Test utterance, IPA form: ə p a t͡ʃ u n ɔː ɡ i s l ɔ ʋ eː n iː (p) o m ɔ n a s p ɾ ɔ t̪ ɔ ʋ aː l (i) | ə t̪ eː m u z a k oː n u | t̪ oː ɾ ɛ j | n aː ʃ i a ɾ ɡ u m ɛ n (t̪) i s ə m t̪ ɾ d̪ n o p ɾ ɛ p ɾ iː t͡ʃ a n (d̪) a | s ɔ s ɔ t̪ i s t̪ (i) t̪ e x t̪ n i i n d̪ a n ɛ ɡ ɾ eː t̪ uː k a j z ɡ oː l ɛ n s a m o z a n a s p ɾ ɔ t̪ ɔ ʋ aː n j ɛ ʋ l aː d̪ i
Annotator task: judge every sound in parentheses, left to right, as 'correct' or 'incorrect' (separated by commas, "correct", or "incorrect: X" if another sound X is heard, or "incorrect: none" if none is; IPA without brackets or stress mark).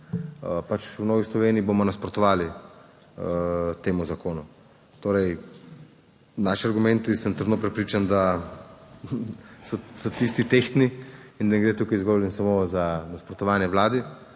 incorrect: b, correct, correct, correct, correct